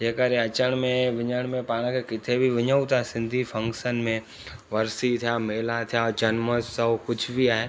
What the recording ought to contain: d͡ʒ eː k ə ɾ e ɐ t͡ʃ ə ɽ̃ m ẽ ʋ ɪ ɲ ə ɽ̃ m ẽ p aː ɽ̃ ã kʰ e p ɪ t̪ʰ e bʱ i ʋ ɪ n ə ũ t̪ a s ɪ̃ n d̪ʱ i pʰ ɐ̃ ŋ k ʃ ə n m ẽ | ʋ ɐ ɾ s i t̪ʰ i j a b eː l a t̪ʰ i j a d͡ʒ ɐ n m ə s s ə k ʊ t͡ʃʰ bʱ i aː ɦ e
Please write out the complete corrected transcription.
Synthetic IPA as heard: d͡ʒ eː k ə ɾ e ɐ t͡ʃ ə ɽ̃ m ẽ ʋ ɪ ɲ ə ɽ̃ m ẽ p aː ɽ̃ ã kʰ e k ɪ t̪ʰ e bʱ i ʋ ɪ ɲ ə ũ t̪ a s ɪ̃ n d̪ʱ i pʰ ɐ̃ ŋ k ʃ ə n m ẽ | ʋ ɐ ɾ s i t̪ʰ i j a m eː l a t̪ʰ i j a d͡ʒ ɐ n m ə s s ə k ʊ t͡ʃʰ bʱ i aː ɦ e